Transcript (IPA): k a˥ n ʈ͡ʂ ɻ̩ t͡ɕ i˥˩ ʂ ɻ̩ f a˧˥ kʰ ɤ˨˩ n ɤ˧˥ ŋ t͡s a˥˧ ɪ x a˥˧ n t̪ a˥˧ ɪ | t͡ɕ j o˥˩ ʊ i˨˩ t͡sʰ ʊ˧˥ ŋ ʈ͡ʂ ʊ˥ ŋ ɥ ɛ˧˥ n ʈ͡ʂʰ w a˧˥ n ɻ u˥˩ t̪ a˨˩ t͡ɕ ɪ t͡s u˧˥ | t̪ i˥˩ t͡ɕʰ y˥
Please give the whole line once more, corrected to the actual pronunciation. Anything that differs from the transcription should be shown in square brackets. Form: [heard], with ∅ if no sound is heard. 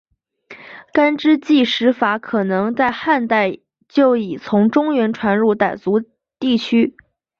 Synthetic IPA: k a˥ n ʈ͡ʂ ɻ̩ t͡ɕ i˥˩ ʂ ɻ̩ f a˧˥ kʰ ɤ˨˩ n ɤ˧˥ ŋ t͡s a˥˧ ɪ x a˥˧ n t̪ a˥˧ ɪ | t͡ɕ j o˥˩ ʊ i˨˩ t͡sʰ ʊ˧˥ ŋ ʈ͡ʂ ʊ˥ ŋ ɥ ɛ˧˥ n ʈ͡ʂʰ w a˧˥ n ɻ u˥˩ t̪ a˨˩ [∅] ɪ t͡s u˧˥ | t̪ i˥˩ t͡ɕʰ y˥